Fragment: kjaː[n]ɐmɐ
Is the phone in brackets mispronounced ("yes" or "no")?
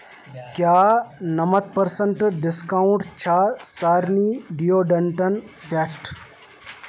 no